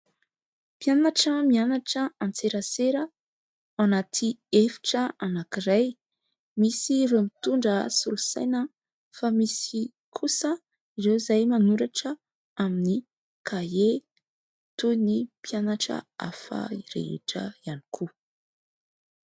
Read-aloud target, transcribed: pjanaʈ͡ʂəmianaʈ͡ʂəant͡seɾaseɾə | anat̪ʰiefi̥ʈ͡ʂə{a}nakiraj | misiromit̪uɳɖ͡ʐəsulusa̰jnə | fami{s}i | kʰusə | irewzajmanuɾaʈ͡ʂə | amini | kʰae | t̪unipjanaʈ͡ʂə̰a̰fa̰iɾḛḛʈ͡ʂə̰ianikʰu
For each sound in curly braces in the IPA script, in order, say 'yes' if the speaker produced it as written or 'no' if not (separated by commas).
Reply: yes, yes